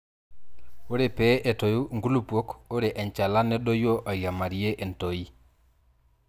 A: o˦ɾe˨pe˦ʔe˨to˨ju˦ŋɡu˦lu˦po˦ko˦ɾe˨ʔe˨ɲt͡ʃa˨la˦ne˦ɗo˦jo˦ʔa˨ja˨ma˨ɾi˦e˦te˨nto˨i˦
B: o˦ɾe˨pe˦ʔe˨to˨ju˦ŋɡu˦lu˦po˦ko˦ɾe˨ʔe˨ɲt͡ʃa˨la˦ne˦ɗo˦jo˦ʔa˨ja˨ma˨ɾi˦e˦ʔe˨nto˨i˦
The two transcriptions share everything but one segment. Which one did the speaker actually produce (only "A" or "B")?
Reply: B